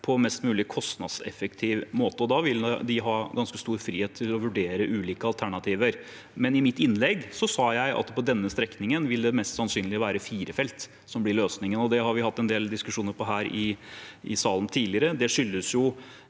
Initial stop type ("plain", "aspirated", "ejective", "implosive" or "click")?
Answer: aspirated